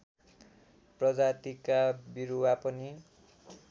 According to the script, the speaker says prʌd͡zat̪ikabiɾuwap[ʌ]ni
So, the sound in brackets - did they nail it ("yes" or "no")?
yes